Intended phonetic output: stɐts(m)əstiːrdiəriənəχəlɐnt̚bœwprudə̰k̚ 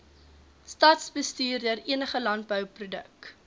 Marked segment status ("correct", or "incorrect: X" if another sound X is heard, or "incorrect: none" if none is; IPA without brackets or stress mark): incorrect: b